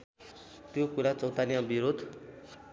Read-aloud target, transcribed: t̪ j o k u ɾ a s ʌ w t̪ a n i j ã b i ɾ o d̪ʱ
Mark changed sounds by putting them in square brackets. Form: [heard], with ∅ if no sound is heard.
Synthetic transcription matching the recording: t̪ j o k u ɾ a [t͡s] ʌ w t̪ a n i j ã b i ɾ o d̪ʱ